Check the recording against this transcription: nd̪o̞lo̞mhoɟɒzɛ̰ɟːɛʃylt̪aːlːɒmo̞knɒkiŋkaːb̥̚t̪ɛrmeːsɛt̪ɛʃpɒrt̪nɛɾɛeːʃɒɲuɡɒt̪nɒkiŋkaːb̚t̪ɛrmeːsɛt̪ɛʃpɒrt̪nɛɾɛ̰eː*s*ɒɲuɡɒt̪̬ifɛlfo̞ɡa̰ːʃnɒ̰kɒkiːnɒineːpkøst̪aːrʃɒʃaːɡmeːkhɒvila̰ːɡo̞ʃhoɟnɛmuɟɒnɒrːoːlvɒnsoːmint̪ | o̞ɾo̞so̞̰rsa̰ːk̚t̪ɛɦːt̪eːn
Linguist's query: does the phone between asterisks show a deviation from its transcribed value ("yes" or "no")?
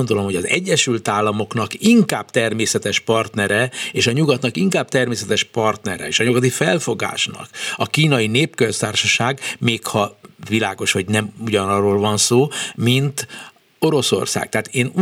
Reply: yes